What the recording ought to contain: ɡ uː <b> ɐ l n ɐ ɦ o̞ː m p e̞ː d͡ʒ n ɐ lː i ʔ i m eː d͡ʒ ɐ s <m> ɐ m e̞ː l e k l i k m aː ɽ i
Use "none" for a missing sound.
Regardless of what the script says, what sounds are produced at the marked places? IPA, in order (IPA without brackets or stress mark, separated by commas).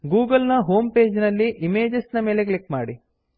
ɡ, n